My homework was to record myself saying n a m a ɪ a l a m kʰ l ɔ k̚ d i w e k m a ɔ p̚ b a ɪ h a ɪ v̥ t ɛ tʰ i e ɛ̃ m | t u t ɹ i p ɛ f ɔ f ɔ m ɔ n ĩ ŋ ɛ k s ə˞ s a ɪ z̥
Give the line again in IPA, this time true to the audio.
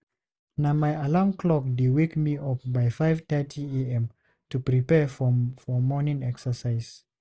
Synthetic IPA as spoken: n a m a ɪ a l a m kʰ l ɔ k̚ d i w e k m i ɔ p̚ b a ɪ f a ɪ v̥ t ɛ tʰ i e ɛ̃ m | t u p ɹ i p ɛ f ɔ f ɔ m ɔ n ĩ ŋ ɛ k s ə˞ s a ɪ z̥